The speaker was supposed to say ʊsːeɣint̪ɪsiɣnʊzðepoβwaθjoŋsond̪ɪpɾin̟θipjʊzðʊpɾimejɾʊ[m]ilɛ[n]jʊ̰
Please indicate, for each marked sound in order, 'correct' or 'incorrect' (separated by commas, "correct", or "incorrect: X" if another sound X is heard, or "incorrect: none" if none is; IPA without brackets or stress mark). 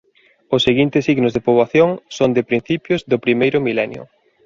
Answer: correct, correct